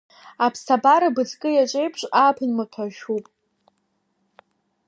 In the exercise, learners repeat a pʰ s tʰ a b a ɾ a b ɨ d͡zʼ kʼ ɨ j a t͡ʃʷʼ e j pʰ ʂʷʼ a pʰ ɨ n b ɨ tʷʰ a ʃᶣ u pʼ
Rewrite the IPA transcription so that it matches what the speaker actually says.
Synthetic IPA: a pʰ s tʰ a b a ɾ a b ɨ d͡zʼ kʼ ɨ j a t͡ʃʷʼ e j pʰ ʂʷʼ a pʰ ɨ n m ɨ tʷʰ a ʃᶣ u pʼ